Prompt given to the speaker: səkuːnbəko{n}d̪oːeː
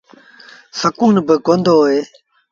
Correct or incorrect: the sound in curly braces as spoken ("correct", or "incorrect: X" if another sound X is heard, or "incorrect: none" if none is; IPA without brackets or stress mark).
correct